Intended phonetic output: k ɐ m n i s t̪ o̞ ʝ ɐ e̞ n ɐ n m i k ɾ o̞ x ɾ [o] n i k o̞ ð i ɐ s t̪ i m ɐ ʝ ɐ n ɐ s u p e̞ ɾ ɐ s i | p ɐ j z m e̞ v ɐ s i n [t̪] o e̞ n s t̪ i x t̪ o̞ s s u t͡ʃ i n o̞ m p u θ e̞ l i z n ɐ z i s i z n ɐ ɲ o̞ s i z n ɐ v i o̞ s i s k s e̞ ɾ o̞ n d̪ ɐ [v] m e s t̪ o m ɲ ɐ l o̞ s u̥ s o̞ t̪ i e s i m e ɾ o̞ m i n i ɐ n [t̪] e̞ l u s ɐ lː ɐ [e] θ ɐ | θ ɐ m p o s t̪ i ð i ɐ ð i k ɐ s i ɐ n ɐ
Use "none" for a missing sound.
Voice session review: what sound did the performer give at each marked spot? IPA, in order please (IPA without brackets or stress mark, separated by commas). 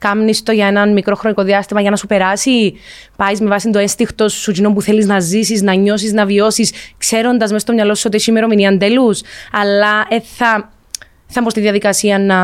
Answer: o, d̪, z, d̪, e